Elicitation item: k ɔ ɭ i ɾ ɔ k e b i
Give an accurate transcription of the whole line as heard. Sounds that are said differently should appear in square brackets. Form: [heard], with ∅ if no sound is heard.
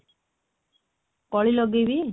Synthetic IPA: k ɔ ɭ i [l] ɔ [ɡ] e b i